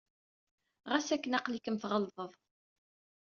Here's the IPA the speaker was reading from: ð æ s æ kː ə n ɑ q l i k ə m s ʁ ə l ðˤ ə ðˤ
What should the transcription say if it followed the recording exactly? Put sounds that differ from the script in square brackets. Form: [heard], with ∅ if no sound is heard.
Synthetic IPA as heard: [ʁ] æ s æ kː ə n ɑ q l i k ə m [θ] ʁ ə l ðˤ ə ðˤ